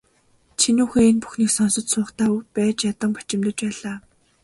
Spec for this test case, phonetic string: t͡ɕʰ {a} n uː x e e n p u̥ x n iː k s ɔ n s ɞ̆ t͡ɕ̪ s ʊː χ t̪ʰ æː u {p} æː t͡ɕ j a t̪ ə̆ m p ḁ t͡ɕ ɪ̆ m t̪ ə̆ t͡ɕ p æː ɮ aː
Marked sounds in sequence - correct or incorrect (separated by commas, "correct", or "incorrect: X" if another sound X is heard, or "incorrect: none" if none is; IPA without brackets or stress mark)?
incorrect: i, correct